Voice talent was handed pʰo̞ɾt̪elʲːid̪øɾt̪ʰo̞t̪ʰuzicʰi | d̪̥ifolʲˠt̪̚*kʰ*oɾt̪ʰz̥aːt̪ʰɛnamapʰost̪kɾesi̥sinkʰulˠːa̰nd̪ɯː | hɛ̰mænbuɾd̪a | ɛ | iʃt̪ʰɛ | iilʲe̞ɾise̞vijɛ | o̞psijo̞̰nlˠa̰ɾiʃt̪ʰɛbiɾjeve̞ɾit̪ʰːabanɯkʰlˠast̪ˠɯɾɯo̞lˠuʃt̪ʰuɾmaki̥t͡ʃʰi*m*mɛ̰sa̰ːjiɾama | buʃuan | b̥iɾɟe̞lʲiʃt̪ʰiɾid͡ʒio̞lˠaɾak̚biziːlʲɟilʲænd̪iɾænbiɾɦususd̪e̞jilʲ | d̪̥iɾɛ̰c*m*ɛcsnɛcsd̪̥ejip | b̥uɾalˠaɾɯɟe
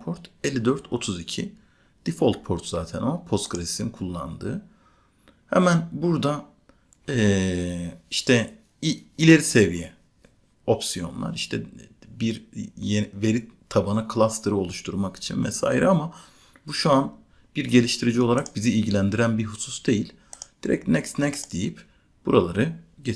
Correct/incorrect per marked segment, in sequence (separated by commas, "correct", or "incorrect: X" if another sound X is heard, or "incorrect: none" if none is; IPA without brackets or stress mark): incorrect: pʰ, incorrect: n, incorrect: n